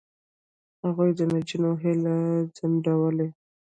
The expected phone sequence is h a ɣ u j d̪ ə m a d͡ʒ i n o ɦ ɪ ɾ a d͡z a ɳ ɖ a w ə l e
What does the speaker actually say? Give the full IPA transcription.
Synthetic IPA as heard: h a ɣ u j d̪ ə n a d͡ʒ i n o ɦ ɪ l a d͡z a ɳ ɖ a w ə l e